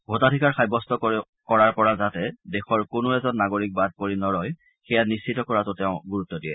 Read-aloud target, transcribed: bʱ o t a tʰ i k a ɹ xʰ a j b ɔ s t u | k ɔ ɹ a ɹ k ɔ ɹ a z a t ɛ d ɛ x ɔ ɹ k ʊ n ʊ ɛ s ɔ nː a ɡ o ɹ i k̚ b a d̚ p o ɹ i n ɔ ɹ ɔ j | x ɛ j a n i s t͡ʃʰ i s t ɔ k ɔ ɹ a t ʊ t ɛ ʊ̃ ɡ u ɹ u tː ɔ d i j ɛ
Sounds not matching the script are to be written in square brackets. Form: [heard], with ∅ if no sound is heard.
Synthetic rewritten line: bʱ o t a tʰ i k a ɹ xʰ a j b ɔ s t [ɔ] | k ɔ ɹ a ɹ [p] ɔ ɹ a z a t ɛ d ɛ x ɔ ɹ k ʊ n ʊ ɛ [z] ɔ nː a ɡ o ɹ i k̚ b a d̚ p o ɹ i n ɔ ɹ ɔ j | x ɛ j a n i s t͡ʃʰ i [∅] t ɔ k ɔ ɹ a t ʊ t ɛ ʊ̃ ɡ u ɹ u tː ɔ d i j ɛ

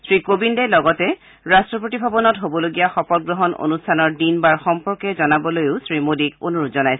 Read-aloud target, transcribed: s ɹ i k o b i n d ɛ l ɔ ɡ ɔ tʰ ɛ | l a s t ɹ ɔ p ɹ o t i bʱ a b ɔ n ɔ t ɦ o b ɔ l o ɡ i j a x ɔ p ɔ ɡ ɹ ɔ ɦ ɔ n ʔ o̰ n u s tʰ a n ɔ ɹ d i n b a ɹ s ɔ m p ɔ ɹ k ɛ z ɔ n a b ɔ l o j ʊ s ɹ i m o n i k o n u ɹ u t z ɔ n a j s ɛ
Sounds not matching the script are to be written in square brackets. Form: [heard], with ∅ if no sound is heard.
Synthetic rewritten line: s ɹ i k o b i n d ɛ l ɔ ɡ ɔ [t] ɛ | [ɹ] a s t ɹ ɔ p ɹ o t i bʱ a b ɔ n ɔ t ɦ o b ɔ l o ɡ i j a x ɔ p ɔ ɡ ɹ ɔ ɦ ɔ n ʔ o̰ n u s tʰ a n ɔ ɹ d i n b a ɹ [x] ɔ m p ɔ ɹ k ɛ z ɔ n a b ɔ l o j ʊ s ɹ i m o [d] i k o n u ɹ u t z ɔ n a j s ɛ

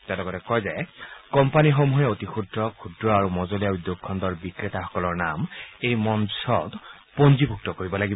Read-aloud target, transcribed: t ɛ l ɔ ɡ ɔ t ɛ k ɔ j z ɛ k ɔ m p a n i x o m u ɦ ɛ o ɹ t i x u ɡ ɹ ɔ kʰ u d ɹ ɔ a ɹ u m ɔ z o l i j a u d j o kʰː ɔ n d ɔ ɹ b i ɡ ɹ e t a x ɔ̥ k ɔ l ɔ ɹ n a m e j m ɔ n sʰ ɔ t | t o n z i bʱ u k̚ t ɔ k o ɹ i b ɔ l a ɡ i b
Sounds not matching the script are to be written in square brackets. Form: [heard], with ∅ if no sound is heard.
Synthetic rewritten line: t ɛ l ɔ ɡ ɔ t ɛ k ɔ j z ɛ k ɔ m p a n i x o m u ɦ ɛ o [∅] t i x u [d] ɹ ɔ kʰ u d ɹ ɔ a ɹ u m ɔ z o l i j a u d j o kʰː ɔ n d ɔ ɹ b i [k] ɹ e t a x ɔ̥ k ɔ l ɔ ɹ n a m e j m ɔ n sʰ ɔ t | [p] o n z i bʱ u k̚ t ɔ k o ɹ i b ɔ l a ɡ i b

